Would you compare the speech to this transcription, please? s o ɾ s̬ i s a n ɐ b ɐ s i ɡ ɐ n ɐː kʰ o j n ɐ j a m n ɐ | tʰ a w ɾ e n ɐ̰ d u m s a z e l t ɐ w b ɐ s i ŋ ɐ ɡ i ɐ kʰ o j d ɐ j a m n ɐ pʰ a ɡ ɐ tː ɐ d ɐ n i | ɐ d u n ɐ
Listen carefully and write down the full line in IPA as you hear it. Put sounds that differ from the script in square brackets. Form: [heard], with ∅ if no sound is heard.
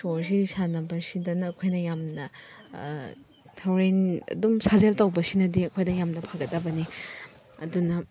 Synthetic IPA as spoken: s o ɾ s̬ i s a n ɐ b ɐ s i [d] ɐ n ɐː kʰ o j n ɐ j a m n ɐ | tʰ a w ɾ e n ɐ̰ d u m s a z e l t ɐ w b ɐ s i [n] ɐ [d] i ɐ kʰ o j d ɐ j a m n ɐ pʰ a ɡ ɐ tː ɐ [b] ɐ n i | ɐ d u n ɐ